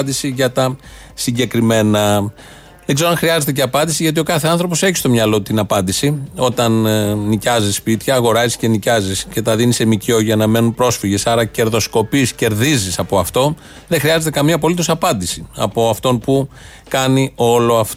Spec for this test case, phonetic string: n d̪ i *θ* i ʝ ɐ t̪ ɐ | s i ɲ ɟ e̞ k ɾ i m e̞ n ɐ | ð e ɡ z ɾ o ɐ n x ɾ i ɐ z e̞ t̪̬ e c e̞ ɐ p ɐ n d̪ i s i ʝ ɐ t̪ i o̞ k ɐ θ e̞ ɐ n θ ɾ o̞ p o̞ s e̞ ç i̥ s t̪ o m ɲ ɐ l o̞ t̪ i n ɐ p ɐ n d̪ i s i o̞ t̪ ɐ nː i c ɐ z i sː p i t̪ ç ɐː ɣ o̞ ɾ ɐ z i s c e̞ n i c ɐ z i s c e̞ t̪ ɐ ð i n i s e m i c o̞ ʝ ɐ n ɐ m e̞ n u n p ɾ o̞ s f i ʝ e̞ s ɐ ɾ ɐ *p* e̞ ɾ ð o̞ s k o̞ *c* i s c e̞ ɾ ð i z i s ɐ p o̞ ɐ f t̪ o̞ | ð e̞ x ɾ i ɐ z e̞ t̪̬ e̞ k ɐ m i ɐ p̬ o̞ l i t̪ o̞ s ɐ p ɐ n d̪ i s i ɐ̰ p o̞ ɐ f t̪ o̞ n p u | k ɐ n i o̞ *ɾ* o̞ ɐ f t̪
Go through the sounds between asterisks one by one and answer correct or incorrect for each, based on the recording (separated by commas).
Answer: incorrect, incorrect, incorrect, incorrect